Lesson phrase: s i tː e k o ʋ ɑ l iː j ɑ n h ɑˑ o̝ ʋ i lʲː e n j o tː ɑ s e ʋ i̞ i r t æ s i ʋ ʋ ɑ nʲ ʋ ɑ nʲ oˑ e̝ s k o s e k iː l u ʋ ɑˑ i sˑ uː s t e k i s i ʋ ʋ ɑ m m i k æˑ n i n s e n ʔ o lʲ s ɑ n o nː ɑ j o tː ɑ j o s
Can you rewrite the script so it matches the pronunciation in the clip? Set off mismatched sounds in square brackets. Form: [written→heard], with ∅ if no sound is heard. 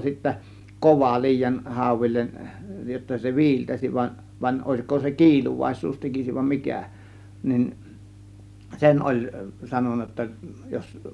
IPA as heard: s i tː [e→æ] k o ʋ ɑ l iː j ɑ n h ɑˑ o̝ ʋ i lʲː e n j o tː ɑ s e ʋ i̞ i [r→l] t æ s i ʋ ʋ ɑ nʲ ʋ ɑ nʲ oˑ e̝ s k o s e k iː l u ʋ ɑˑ i sˑ uː s t e k i s i ʋ ʋ ɑ m m i k æˑ n i n s e n ʔ o lʲ s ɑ n o nː ɑ j o tː ɑ j o s